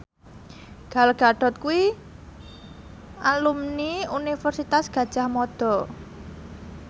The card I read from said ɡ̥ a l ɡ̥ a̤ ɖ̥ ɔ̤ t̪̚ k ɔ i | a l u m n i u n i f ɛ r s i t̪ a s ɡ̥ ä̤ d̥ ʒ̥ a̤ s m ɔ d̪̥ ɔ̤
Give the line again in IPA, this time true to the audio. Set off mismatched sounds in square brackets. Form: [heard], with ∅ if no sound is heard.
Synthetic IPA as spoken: ɡ̥ a l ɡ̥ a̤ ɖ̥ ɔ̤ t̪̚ k [u] i | a l u m n i u n i f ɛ r s i t̪ a s ɡ̥ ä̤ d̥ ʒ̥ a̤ [h] m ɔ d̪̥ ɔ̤